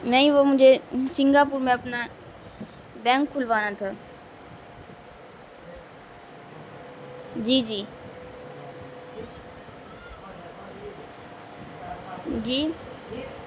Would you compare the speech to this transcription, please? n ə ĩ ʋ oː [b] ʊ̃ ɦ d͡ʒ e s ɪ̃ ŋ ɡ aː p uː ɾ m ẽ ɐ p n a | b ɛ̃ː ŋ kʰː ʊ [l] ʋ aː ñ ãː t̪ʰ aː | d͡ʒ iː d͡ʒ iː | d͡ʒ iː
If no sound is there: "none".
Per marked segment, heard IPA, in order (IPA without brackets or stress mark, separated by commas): m, l